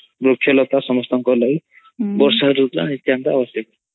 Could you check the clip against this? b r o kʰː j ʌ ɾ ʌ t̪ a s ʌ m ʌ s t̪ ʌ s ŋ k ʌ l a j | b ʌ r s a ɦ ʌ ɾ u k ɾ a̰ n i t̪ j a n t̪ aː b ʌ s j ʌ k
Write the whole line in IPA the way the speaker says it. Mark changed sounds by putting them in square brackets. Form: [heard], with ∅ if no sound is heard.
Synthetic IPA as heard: b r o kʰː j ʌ [l] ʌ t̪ a s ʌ m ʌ s t̪ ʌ [∅] ŋ k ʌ l a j | b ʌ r s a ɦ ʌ ɾ u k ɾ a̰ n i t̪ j a n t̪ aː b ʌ s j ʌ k